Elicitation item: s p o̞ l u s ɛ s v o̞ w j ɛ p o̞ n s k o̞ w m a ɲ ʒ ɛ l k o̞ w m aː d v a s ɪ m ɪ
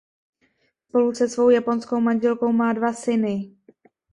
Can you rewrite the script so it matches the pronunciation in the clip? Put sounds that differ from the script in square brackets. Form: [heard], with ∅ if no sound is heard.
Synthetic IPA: s p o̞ l u s ɛ s v o̞ w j [a] p o̞ n s k o̞ w m a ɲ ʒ ɛ l k o̞ w m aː d v a s ɪ [n] ɪ